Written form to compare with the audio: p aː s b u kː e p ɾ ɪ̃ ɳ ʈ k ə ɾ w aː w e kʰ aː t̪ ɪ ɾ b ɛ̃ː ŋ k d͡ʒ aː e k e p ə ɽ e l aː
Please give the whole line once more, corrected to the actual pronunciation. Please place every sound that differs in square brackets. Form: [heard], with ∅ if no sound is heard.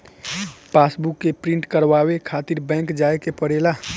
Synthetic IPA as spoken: p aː s b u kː e p ɾ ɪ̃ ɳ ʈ k ə ɾ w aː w e kʰ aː t̪ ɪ ɾ b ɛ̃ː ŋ k d͡ʒ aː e k e p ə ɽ e l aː